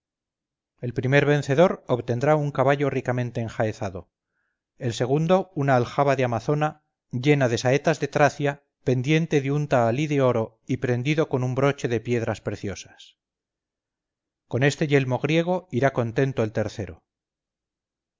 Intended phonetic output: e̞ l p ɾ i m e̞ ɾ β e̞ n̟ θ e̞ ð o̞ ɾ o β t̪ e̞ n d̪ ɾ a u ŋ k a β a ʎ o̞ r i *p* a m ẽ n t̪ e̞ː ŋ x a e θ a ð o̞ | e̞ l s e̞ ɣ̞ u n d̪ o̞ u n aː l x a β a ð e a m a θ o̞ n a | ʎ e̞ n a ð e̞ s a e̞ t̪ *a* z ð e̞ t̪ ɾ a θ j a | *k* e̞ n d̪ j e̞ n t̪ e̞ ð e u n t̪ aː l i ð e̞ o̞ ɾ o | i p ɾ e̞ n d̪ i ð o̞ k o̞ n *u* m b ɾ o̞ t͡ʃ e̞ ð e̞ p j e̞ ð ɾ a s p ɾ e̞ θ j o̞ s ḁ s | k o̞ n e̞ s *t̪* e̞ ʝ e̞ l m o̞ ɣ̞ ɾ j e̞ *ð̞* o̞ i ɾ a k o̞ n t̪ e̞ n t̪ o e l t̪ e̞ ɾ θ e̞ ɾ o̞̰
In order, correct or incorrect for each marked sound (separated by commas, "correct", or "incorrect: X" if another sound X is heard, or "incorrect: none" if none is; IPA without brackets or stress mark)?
incorrect: k, correct, incorrect: p, correct, correct, incorrect: ɣ̞